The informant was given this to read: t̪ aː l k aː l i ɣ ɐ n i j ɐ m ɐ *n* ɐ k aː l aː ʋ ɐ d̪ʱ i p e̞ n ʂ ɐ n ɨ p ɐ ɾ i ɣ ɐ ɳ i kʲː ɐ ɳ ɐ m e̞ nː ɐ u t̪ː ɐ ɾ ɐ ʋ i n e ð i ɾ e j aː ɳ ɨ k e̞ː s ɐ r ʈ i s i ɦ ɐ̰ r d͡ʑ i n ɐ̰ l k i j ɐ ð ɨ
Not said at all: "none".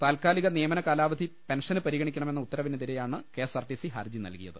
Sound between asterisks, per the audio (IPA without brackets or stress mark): n